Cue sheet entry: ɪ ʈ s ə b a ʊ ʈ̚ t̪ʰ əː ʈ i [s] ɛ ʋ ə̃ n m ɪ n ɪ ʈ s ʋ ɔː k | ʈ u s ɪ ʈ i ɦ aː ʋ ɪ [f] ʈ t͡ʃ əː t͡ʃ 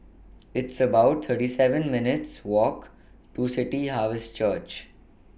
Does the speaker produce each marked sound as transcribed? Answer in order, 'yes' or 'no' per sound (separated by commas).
yes, no